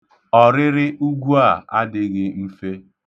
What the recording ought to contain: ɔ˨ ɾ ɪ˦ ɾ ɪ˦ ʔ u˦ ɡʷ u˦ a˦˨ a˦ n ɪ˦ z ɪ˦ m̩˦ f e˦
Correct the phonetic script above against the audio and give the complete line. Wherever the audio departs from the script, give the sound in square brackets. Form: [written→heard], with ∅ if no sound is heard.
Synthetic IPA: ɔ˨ ɾ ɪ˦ ɾ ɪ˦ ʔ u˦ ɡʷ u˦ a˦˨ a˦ [n→d] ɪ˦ [z→ɣ] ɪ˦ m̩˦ f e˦